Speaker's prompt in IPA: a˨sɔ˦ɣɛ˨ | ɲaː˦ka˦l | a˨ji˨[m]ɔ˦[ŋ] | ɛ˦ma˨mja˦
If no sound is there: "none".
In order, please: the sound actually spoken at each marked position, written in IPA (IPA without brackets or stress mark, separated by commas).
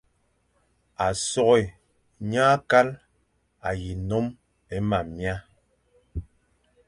n, m